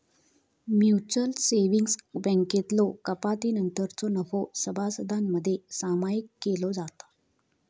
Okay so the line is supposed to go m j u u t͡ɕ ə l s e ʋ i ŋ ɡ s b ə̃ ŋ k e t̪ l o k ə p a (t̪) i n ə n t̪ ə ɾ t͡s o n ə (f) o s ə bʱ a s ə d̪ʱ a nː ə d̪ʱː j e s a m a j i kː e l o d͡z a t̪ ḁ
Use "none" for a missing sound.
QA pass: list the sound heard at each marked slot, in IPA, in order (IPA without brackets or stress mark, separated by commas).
t̪, f